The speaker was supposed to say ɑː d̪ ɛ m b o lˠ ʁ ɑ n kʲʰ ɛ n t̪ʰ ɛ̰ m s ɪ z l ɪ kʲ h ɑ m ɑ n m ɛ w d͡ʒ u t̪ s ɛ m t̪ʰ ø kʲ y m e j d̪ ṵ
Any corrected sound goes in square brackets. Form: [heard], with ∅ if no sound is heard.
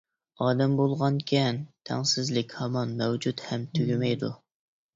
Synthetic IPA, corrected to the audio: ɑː d̪ ɛ m b o lˠ ʁ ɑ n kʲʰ ɛ n t̪ʰ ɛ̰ [ŋ] s ɪ z l ɪ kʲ h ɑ m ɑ n m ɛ w d͡ʒ u t̪ [h] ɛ m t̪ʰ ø [ɡʲ] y m [ɛ] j d̪ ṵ